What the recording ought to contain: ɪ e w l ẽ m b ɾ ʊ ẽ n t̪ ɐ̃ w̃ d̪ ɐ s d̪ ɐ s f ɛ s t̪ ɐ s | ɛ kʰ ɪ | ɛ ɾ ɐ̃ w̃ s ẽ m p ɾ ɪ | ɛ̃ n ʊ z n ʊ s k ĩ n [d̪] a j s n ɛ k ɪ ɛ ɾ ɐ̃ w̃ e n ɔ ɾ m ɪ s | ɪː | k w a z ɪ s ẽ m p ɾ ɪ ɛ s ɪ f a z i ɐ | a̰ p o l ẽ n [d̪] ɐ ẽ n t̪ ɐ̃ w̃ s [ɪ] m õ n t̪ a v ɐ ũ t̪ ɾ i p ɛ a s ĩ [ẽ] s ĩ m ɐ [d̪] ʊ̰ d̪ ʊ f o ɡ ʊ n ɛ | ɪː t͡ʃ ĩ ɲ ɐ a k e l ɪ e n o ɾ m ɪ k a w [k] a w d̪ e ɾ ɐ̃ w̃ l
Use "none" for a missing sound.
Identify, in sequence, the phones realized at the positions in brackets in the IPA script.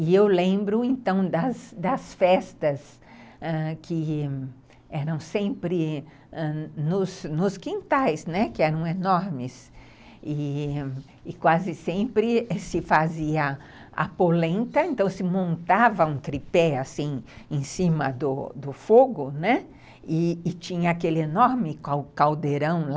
t̪, t̪, ɪ, ẽ, d̪, k

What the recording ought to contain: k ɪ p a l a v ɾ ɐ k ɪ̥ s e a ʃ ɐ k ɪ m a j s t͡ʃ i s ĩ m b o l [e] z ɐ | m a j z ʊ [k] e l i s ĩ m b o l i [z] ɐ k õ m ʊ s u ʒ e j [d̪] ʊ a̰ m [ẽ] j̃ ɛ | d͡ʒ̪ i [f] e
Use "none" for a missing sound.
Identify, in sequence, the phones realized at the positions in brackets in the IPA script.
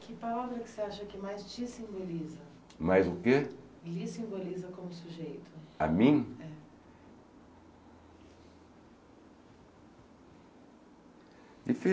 i, k, z, t̪, ĩ, f

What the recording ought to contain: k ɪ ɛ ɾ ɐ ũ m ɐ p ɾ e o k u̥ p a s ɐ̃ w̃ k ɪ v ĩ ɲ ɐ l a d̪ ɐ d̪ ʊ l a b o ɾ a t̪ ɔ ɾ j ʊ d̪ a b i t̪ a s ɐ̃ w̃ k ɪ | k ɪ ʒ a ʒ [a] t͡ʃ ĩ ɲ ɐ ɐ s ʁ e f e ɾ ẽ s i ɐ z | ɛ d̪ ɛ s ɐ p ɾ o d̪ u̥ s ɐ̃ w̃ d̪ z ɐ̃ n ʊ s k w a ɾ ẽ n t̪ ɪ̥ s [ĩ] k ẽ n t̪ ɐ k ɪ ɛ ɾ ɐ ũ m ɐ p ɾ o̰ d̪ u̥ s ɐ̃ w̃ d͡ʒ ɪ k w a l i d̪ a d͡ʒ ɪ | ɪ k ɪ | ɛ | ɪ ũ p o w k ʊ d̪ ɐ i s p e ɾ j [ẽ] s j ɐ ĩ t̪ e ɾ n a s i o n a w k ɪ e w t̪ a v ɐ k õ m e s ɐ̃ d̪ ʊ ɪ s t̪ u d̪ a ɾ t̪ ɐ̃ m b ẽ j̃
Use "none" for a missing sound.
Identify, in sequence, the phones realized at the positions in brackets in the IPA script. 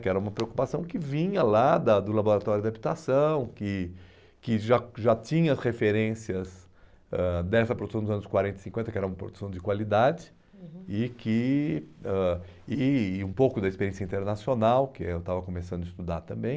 a, ĩ, ẽ

